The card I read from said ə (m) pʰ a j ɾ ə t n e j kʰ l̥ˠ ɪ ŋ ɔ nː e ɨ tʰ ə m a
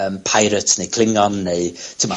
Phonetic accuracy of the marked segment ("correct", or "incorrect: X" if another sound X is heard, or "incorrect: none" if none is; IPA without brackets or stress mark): correct